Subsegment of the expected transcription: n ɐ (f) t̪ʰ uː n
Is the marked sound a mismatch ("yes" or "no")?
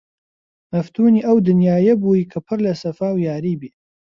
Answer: no